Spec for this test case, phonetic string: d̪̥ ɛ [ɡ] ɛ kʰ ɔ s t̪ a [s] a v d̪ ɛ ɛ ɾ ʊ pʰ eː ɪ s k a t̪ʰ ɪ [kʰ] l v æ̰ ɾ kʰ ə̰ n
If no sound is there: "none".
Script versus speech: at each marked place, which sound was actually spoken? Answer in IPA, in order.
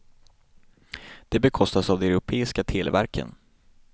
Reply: b, s, none

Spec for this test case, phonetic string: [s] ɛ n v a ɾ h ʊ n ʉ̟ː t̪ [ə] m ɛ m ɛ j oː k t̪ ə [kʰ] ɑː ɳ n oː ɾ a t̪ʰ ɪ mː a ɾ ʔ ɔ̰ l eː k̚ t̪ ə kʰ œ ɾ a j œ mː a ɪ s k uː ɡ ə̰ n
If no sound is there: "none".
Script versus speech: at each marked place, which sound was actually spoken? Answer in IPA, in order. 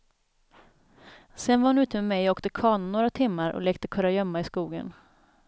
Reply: s, ə, kʰ

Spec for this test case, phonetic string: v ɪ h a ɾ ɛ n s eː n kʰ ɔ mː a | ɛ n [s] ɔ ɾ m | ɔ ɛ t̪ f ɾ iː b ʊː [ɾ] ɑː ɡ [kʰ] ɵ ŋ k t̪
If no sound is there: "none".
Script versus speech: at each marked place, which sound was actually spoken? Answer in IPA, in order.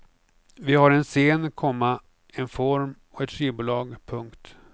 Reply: f, l, pʰ

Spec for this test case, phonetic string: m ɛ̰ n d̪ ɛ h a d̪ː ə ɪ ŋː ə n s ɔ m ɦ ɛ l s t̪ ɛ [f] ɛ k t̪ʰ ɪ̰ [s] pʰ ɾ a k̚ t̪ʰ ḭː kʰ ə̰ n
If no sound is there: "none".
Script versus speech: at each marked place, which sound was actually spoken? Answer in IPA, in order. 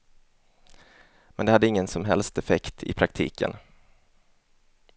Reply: f, none

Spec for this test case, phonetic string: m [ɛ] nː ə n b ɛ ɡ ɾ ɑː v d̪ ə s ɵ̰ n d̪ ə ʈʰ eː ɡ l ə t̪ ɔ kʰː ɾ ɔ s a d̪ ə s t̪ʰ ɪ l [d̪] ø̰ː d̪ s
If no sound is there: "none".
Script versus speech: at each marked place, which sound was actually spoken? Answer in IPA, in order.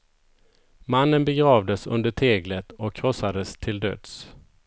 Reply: a, d̪

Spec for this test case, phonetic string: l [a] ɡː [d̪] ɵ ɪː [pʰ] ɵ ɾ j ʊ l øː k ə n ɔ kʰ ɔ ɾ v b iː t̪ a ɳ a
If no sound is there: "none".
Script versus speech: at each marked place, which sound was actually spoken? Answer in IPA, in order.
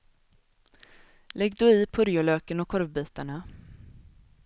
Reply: ɛ, d̪, pʰ

